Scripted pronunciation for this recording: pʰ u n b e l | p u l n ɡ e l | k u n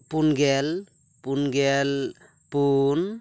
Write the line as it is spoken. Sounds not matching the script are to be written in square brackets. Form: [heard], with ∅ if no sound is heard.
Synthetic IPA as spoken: [p] u n [ɡ] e l | p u [∅] n ɡ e l | [p] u n